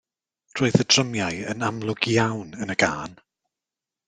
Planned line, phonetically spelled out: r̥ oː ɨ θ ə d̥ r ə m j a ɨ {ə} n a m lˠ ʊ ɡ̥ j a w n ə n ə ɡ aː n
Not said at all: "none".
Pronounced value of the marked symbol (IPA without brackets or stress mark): ə